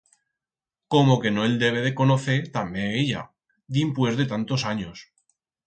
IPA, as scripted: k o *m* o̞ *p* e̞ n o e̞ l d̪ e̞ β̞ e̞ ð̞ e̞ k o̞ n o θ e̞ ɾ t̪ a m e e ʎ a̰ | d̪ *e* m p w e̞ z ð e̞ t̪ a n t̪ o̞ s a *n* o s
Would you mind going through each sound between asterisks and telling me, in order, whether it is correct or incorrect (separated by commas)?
correct, incorrect, incorrect, incorrect